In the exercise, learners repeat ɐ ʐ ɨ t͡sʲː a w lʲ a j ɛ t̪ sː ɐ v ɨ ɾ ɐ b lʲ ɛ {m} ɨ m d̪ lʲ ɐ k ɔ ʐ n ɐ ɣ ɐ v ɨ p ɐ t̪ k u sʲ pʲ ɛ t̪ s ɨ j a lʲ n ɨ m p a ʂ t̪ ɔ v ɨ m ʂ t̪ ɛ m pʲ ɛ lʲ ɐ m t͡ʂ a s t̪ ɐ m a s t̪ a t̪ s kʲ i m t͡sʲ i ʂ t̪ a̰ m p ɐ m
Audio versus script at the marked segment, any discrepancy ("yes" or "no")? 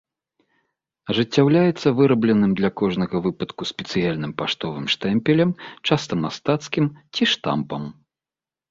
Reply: yes